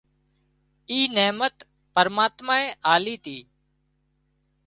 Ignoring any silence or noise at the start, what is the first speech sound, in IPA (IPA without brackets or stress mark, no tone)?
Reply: iː